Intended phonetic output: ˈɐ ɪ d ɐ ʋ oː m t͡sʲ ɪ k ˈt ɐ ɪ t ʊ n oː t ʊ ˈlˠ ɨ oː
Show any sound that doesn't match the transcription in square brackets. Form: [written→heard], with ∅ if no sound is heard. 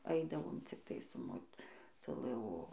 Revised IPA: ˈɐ ɪ d ɐ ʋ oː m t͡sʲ ɪ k ˈt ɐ ɪ [t→s] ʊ [n→m] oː t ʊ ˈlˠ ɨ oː